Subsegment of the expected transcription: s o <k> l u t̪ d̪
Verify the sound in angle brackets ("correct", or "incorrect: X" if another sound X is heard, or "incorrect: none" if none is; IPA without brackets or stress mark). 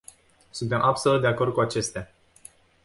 incorrect: none